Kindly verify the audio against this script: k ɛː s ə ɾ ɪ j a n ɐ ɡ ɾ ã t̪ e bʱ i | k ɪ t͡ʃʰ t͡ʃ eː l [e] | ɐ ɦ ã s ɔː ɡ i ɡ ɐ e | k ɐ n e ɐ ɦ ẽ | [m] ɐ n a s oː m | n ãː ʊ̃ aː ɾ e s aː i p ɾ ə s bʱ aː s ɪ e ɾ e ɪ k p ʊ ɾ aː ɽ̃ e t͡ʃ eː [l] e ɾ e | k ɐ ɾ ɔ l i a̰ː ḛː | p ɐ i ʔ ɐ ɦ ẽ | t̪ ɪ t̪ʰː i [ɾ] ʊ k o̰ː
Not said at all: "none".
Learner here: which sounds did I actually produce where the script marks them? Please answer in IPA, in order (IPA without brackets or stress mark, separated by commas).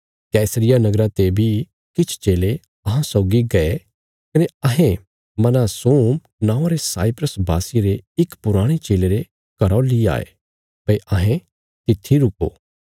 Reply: e, m, l, ɾ